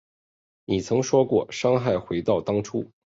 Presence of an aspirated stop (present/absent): present